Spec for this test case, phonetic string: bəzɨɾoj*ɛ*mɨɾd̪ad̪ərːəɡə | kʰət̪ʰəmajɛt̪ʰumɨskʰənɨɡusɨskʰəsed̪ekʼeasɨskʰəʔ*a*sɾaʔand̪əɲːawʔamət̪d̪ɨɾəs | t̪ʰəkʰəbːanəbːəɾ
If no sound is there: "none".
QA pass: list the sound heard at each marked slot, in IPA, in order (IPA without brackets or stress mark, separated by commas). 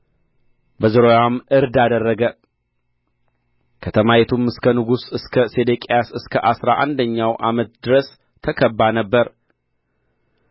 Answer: a, a